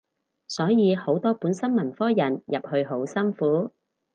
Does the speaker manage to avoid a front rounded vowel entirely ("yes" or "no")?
yes